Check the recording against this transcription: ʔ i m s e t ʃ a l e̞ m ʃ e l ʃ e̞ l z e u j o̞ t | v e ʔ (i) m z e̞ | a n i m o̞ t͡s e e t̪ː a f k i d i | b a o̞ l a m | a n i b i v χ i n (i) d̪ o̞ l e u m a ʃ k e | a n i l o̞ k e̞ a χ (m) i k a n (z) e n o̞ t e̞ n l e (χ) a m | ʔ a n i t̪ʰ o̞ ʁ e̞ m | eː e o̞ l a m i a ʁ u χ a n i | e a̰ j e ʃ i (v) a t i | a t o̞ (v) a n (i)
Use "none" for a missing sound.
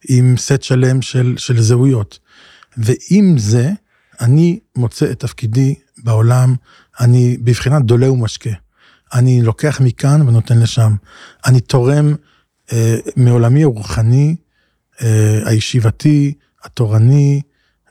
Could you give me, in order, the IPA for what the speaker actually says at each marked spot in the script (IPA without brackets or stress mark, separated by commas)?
i, a, m, v, ʃ, v, ʁ, i